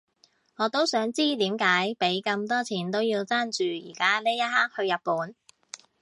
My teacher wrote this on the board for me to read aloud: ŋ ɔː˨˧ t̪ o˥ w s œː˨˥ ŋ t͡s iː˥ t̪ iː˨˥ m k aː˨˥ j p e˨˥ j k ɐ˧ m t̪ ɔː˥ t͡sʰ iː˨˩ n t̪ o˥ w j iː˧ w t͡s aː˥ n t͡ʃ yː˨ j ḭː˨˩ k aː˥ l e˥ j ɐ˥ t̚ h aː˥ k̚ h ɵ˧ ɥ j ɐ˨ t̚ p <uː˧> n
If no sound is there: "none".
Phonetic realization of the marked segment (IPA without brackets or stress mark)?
uː˨˥